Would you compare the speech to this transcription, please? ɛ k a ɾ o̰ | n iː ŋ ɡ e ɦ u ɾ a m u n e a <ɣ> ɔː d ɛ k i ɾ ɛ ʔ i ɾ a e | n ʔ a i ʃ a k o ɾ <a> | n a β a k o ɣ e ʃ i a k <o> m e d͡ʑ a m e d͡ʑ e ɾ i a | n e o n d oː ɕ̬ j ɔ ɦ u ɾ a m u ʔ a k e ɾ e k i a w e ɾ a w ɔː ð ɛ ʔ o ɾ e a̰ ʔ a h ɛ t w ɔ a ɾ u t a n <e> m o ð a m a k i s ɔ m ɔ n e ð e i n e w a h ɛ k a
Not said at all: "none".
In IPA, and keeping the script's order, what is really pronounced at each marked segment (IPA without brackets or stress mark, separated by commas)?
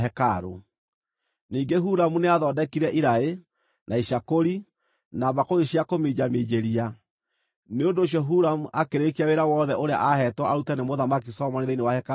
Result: ð, i, o, e